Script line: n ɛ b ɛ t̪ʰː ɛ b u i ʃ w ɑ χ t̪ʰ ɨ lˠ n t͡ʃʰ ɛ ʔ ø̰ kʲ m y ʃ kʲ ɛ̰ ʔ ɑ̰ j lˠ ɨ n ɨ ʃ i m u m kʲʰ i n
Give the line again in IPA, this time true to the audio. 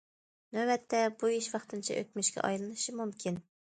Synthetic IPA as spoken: n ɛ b ɛ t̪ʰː ɛ b u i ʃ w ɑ χ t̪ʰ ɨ n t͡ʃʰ ɛ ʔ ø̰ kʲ m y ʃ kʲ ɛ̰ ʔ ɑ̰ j lˠ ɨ n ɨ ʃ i m u m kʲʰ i n

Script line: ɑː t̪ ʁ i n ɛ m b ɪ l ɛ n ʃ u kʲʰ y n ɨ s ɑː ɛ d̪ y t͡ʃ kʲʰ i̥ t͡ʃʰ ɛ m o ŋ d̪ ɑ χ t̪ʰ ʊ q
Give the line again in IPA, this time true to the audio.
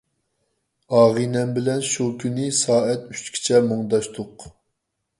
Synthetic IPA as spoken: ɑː ʁ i n ɛ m b ɪ l ɛ n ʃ u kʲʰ y n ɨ s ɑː ɛ t̪ y t͡ʃ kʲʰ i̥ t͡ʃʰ ɛ m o ŋ d̪ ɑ ʃ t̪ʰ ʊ q

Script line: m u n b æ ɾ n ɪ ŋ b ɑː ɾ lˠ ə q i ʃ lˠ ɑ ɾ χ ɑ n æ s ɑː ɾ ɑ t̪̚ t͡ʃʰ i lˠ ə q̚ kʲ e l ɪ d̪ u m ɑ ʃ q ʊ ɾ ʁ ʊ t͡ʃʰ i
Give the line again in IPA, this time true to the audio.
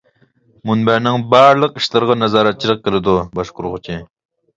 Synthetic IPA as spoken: m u n b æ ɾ n ɪ ŋ b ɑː ɾ lˠ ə q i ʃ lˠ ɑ ɾ ʁ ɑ n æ z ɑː ɾ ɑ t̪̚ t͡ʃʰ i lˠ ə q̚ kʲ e l ɪ d̪ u b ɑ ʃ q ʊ ɾ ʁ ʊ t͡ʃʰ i

